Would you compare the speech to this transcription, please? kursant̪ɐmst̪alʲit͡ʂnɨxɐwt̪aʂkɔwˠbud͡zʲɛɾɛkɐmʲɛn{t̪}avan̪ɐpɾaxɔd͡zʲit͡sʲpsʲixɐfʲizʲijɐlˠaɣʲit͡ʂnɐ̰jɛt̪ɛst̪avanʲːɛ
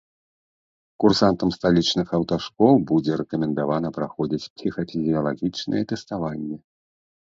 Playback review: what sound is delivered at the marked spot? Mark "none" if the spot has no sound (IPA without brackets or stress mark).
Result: d̪